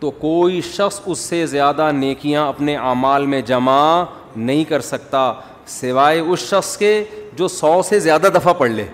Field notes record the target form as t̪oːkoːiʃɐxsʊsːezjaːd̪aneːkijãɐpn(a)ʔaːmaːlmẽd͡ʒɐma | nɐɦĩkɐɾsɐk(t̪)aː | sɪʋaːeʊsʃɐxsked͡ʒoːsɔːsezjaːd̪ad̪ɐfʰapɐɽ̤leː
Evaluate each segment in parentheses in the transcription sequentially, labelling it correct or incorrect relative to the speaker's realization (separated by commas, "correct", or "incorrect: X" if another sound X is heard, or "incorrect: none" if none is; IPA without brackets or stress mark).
incorrect: e, correct